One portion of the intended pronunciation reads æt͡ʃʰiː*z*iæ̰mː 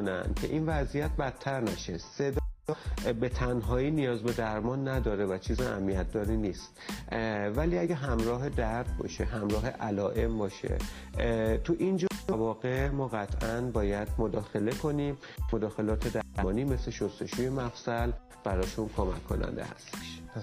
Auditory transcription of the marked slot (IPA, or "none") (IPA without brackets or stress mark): z